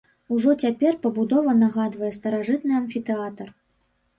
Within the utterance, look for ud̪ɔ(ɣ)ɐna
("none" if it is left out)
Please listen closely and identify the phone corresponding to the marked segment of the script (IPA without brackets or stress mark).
v